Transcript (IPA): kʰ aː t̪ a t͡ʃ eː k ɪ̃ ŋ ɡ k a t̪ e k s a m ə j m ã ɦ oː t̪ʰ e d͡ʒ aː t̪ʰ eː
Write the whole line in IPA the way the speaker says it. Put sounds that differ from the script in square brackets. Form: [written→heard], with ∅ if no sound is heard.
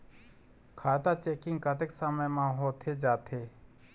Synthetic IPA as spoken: kʰ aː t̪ a t͡ʃ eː k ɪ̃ ŋ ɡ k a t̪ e k s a m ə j m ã ɦ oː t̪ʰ e d͡ʒ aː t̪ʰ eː